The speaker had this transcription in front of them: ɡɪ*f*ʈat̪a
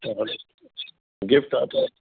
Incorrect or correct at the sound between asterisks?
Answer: correct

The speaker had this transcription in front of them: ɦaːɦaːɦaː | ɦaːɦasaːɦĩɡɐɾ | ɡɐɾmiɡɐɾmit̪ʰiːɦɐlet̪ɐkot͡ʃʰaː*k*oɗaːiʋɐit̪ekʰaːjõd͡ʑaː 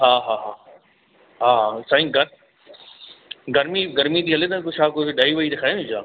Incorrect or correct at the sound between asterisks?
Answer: correct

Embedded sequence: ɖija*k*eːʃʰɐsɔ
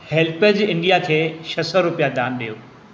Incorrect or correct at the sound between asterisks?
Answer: incorrect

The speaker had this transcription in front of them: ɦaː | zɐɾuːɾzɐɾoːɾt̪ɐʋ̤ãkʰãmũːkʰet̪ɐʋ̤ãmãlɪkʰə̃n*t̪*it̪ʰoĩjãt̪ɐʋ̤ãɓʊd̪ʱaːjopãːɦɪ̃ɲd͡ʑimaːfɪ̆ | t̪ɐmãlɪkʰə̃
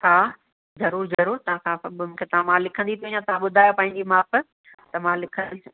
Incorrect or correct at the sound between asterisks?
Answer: incorrect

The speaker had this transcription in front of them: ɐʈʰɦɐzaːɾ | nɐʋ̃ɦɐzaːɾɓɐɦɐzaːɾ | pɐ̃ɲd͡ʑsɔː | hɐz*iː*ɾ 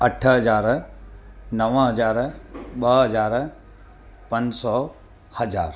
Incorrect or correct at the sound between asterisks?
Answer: incorrect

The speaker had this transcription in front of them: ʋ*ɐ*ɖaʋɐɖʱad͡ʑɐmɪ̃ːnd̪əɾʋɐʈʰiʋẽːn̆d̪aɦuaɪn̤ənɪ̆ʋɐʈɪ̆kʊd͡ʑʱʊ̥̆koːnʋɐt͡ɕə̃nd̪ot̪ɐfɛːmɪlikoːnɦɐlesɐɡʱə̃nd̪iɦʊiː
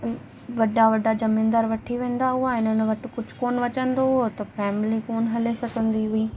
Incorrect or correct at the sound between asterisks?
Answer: correct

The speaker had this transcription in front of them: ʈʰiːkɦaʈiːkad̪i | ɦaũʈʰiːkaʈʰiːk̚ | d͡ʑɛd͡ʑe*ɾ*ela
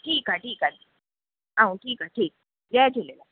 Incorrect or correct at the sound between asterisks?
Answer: incorrect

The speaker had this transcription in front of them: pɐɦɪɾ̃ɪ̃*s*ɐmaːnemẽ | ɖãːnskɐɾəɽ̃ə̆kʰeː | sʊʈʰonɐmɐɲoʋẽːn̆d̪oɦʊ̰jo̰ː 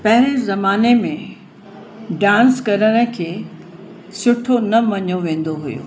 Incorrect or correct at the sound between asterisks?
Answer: incorrect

